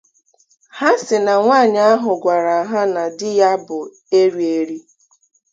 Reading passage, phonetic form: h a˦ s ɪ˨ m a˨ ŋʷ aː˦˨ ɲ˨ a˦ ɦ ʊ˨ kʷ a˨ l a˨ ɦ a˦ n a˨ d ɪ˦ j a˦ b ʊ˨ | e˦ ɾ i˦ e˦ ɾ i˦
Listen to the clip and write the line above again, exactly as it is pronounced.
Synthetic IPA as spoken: h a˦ s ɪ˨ n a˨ ŋʷ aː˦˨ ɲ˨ a˦ ɦ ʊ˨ ɡʷ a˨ ɾ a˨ ɦ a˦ n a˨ d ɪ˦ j a˦ b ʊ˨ | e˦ ɾ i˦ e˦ ɾ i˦